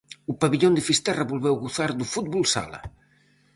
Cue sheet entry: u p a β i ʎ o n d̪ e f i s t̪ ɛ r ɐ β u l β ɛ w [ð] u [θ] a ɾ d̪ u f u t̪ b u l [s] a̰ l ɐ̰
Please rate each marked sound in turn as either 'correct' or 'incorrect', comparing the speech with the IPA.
incorrect, correct, correct

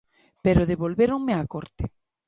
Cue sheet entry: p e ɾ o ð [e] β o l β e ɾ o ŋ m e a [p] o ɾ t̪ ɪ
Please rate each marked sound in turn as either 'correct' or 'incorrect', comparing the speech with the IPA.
correct, incorrect

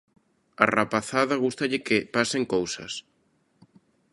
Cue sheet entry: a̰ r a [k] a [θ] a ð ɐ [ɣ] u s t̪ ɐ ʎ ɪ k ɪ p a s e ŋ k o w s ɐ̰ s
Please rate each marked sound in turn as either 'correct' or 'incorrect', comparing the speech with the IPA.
incorrect, correct, correct

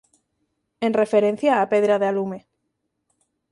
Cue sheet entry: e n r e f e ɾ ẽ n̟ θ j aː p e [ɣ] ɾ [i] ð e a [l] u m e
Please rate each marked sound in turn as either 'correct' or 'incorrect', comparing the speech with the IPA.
incorrect, incorrect, correct

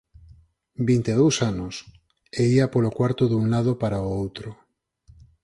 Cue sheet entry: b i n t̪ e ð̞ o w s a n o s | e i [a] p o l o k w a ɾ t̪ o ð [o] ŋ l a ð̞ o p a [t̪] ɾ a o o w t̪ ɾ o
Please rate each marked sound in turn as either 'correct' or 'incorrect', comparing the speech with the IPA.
correct, incorrect, incorrect

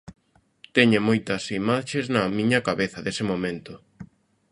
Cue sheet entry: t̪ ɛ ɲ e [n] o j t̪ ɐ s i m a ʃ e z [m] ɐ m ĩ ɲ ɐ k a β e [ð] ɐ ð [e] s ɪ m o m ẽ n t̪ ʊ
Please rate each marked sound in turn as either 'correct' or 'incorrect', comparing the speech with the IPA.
incorrect, incorrect, incorrect, correct

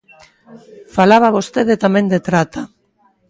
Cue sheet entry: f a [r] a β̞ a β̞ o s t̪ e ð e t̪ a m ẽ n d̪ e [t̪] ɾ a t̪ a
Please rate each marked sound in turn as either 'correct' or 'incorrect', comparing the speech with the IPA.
incorrect, correct

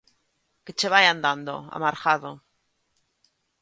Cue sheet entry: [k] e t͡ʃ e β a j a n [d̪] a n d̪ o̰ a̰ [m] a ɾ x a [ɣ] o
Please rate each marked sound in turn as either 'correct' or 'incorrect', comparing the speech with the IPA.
correct, correct, correct, incorrect

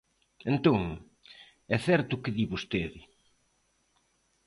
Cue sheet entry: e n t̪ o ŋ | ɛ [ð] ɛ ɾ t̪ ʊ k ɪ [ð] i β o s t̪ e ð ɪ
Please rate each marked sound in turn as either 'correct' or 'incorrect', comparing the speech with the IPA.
incorrect, correct

